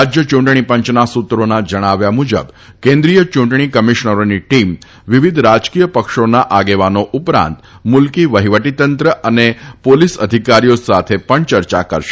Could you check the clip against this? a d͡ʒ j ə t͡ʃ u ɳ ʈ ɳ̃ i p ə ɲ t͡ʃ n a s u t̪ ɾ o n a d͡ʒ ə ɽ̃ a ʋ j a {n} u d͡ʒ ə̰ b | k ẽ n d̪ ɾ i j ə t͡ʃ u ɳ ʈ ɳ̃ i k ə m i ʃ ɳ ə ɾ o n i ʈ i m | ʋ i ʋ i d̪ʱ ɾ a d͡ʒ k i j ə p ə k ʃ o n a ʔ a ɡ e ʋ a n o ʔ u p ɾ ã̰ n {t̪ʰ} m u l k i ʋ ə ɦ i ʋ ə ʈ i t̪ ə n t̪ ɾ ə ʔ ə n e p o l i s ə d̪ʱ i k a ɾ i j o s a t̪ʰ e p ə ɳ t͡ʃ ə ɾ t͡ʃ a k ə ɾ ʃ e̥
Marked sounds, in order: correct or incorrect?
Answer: incorrect, incorrect

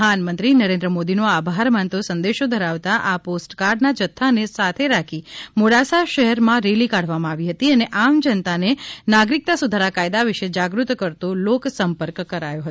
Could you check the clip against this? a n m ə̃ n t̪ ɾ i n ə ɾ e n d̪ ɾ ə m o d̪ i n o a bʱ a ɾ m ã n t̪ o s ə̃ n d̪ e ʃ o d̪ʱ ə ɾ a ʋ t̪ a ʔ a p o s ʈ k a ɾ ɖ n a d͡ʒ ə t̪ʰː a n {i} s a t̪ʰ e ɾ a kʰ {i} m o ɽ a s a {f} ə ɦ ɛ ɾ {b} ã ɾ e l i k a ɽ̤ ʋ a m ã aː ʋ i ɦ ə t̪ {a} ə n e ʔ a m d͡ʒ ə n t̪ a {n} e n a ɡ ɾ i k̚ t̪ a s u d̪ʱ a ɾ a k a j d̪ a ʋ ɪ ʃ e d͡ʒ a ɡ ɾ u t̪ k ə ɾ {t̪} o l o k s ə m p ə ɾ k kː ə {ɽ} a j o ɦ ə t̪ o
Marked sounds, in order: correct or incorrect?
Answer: incorrect, correct, incorrect, incorrect, incorrect, correct, correct, incorrect

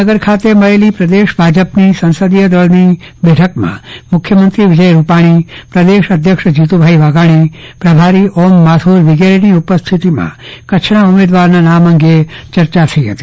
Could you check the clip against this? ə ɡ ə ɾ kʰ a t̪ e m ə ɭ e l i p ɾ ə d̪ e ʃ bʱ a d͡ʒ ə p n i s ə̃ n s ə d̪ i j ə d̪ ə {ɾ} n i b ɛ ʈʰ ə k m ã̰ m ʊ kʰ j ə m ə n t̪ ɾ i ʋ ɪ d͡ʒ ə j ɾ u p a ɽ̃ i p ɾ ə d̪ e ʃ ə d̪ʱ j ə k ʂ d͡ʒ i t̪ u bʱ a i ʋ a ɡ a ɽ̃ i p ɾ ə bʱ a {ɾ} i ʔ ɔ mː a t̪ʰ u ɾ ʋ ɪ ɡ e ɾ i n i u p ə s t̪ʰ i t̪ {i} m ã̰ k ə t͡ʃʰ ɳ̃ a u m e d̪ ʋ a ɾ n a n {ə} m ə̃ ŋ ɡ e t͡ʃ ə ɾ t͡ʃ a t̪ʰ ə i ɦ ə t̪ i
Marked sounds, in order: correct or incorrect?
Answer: incorrect, correct, correct, incorrect

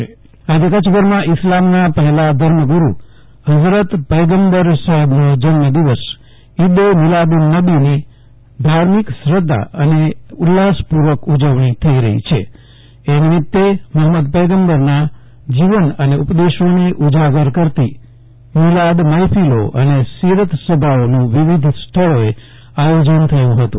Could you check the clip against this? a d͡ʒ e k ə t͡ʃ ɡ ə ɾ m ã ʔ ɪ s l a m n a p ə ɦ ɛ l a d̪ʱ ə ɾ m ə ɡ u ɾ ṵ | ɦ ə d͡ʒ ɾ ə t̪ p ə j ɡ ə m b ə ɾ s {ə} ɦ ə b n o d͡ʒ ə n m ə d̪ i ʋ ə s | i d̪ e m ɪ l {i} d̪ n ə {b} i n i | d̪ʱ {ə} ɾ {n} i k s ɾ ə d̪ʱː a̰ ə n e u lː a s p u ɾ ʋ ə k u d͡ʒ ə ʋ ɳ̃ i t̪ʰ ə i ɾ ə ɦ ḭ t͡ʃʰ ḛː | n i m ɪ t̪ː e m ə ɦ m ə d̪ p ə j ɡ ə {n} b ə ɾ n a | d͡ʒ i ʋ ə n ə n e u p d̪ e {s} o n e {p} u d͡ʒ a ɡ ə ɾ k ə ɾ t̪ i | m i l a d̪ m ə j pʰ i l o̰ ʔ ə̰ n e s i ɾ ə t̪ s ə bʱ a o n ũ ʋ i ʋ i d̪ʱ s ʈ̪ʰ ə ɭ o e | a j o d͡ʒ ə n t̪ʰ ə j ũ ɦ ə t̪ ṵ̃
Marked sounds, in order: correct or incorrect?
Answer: correct, incorrect, correct, incorrect, incorrect, incorrect, incorrect, incorrect

